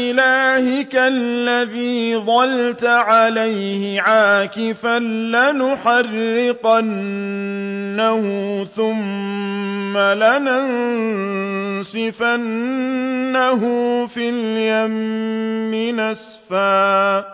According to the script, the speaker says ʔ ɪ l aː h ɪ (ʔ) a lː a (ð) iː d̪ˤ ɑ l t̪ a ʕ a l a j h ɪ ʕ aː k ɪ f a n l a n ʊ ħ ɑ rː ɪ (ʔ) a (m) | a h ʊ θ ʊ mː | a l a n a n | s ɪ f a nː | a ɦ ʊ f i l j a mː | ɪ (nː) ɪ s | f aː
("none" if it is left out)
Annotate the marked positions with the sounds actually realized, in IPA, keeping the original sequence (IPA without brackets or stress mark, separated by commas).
k, ð, q, n, n